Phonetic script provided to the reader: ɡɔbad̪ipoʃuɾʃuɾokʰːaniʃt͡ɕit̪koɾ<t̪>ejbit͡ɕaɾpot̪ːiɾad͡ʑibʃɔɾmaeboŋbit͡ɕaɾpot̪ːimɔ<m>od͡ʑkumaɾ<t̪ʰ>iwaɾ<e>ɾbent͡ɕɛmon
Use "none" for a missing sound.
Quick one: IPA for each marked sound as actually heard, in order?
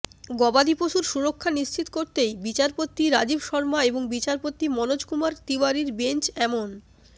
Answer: t̪, n, t̪, i

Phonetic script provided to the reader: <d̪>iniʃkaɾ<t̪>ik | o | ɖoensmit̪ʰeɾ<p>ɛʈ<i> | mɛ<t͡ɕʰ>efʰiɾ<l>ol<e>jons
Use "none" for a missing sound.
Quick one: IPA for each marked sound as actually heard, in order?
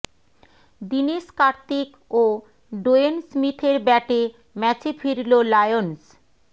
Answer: d̪, t̪, b, e, t͡ɕ, l, a

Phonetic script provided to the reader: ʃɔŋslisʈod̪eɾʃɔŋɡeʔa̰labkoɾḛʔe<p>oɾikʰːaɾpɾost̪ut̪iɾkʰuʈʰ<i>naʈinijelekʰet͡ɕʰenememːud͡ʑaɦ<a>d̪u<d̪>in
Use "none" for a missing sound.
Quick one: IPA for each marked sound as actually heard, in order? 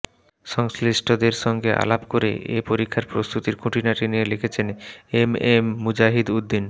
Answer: p, i, i, d̪ː

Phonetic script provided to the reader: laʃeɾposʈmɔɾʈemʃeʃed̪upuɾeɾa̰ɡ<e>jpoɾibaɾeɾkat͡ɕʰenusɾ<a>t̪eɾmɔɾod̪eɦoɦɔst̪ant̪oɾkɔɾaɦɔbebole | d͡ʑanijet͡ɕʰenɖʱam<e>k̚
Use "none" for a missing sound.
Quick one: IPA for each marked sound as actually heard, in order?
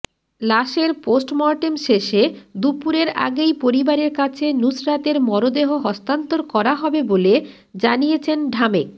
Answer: e, a, e

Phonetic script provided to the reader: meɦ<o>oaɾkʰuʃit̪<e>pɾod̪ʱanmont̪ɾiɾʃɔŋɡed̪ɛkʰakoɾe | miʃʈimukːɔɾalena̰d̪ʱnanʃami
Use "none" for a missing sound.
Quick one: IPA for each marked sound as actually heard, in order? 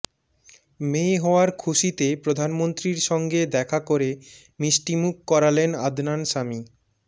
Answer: ɔ, e

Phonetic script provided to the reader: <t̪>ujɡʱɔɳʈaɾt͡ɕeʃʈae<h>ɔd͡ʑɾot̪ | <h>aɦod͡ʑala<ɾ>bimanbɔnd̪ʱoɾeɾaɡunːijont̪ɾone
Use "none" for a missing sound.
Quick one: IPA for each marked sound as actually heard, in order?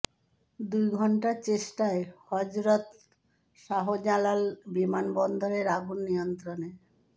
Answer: d̪, h, ʃ, l

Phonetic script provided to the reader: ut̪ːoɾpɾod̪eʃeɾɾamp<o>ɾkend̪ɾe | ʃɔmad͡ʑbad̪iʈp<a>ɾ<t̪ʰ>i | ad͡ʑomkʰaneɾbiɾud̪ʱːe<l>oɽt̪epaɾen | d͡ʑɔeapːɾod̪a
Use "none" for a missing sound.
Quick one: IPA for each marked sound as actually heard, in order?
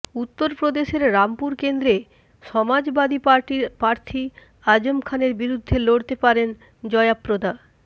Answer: u, a, t̪ʰ, l

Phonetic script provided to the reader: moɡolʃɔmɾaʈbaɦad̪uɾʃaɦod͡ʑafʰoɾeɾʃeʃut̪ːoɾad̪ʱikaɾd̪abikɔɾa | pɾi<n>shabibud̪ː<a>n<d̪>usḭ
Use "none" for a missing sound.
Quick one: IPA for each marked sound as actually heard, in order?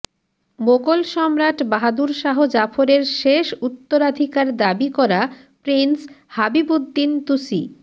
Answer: n, i, t̪

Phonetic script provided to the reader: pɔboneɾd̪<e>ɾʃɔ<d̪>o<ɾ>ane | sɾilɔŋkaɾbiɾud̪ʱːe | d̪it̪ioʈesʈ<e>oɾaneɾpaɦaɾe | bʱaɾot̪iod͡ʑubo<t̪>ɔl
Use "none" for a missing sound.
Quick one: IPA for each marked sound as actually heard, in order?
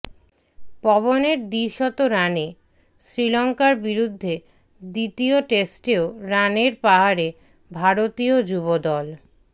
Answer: i, t̪, ɾ, e, d̪

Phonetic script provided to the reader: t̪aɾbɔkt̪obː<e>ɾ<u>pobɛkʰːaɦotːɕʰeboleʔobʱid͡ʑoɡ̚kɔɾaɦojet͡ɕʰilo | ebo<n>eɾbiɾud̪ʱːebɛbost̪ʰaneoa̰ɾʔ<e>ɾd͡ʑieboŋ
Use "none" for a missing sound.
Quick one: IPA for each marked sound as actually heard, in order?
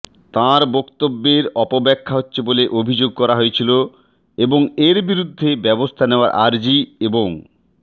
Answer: e, ɔ, ŋ, a

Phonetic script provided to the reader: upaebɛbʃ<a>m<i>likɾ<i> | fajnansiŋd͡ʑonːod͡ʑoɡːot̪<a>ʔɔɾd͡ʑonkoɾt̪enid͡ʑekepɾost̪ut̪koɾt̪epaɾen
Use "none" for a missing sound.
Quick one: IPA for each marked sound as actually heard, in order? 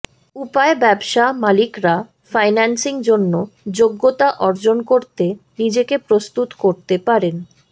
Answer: a, a, a, a

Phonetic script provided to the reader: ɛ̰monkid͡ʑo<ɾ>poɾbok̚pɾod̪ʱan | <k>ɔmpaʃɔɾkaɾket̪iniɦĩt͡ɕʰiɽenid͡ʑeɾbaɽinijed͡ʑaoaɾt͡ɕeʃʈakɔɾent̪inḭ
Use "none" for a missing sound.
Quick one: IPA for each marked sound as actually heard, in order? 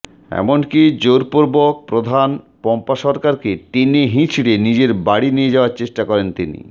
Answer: ɾ, p

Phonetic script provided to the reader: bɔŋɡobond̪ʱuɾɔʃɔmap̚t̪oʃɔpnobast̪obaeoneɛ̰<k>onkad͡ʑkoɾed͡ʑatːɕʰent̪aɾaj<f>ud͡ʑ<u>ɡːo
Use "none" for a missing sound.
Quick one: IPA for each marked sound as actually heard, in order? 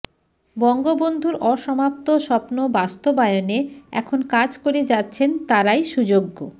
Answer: kʰ, ʃ, o

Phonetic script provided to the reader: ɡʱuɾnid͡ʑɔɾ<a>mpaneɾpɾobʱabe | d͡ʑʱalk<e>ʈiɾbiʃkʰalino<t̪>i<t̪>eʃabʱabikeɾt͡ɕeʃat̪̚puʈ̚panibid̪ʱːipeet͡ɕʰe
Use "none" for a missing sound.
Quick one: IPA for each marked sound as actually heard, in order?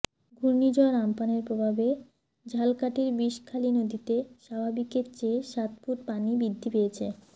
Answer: a, a, d̪, t̪

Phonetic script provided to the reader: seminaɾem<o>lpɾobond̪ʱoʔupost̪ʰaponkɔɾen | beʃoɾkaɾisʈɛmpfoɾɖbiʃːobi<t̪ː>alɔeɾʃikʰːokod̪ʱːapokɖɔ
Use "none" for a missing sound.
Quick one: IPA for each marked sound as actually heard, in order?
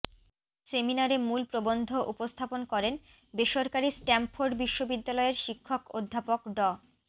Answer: u, d̪ː

